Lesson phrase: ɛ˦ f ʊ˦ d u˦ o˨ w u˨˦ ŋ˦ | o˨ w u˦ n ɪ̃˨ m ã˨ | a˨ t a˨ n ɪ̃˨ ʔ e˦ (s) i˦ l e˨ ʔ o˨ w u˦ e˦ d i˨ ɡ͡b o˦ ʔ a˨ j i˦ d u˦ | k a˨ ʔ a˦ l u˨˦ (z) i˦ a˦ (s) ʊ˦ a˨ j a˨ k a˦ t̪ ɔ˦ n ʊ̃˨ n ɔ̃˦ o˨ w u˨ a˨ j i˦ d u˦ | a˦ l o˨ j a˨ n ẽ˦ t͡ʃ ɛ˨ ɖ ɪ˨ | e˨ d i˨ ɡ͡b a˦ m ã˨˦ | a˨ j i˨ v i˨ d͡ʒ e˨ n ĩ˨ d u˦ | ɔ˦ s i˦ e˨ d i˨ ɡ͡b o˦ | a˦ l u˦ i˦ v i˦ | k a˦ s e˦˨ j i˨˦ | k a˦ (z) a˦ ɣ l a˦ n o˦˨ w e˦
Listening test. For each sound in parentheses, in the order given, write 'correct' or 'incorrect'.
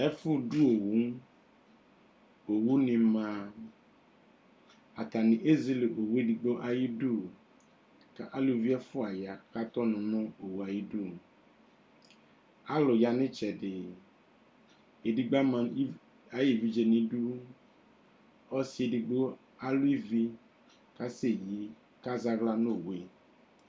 incorrect, incorrect, incorrect, correct

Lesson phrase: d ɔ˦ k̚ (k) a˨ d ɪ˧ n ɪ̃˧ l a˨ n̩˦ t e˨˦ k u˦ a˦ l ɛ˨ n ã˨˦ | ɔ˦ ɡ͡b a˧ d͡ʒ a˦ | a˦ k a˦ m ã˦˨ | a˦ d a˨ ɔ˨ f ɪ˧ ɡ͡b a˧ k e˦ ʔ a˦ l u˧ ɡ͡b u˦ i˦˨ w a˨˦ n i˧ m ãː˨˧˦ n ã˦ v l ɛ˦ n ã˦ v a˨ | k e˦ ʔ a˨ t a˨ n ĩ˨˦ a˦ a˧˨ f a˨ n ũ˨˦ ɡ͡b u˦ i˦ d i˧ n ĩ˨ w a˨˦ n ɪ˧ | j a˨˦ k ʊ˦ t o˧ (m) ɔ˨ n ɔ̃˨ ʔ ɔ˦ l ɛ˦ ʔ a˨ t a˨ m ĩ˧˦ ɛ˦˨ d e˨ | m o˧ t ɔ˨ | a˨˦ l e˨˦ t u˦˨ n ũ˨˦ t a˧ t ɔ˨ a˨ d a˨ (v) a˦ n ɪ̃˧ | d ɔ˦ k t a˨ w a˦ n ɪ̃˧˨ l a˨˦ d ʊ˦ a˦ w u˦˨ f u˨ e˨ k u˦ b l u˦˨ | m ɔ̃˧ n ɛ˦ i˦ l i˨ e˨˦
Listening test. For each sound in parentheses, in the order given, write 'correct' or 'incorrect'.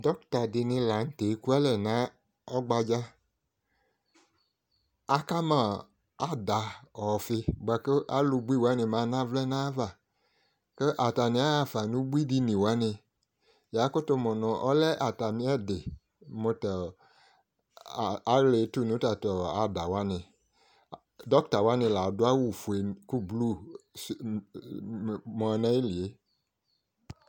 incorrect, correct, incorrect

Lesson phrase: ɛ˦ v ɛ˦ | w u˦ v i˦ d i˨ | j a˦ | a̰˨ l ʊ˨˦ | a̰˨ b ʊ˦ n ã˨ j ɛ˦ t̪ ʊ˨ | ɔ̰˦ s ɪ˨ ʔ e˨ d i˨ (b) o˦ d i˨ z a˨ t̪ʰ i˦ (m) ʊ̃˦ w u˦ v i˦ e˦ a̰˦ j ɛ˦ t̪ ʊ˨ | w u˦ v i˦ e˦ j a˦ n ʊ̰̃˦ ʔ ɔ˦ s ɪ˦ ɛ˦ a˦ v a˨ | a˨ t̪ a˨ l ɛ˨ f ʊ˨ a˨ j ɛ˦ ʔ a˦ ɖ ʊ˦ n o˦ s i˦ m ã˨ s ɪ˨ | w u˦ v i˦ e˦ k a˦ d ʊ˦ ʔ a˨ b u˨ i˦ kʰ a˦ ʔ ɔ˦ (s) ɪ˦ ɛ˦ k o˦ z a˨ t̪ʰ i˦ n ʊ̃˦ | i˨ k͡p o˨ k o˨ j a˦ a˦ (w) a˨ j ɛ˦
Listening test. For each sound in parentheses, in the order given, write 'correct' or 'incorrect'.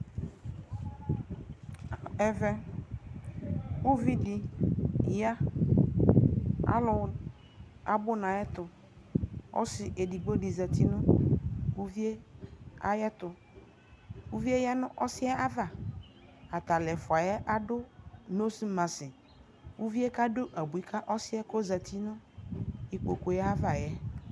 incorrect, incorrect, correct, incorrect

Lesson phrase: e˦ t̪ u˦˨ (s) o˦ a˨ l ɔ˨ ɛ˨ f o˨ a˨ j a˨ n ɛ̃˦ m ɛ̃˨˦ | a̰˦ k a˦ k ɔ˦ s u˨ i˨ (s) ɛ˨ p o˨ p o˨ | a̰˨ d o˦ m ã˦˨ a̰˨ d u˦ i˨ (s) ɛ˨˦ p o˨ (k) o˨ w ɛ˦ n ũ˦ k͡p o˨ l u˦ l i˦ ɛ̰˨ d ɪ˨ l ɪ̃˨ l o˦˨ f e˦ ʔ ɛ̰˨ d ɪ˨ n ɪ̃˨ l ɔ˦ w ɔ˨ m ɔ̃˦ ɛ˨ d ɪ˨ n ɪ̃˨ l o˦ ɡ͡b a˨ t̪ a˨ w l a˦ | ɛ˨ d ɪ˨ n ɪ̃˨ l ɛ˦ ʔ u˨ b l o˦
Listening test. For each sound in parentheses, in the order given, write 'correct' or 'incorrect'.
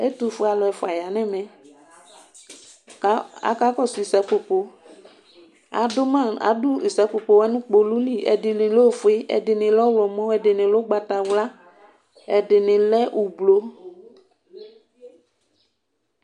incorrect, correct, correct, incorrect

